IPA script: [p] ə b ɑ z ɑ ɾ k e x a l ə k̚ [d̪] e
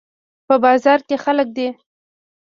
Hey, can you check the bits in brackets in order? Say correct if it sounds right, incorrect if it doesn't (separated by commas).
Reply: correct, correct